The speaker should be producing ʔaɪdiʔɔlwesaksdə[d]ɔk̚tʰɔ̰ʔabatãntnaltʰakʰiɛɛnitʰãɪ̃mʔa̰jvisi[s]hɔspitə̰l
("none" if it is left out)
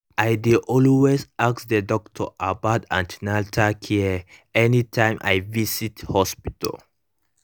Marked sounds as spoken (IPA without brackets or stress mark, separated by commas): d, t